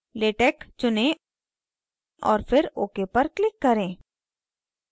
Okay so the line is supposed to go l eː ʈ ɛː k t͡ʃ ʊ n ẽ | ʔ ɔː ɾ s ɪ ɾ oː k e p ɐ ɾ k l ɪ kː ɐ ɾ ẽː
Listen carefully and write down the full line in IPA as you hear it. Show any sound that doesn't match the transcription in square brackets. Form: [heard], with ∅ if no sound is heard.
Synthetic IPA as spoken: l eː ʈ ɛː k t͡ʃ ʊ n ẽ | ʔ ɔː ɾ [f] ɪ ɾ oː k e p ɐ ɾ k l ɪ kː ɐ ɾ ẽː